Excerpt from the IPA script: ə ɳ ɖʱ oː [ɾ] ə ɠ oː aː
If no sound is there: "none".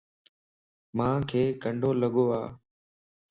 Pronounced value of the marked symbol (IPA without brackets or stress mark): l